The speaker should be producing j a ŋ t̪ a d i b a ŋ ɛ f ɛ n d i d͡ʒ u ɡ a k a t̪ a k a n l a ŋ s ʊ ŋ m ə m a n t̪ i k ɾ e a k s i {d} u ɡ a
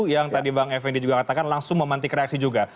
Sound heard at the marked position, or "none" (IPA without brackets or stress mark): d͡ʒ